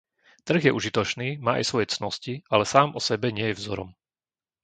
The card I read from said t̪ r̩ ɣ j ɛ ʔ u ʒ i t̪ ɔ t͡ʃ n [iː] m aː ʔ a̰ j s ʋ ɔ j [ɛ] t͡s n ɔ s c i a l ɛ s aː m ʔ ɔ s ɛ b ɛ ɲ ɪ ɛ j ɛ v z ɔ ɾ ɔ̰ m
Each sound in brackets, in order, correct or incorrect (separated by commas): correct, correct